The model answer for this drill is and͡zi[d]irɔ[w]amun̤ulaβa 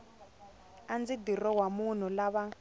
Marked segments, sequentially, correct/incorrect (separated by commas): correct, correct